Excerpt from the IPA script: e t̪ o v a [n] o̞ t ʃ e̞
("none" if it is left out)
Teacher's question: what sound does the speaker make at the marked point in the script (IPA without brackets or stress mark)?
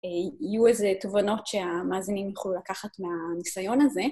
n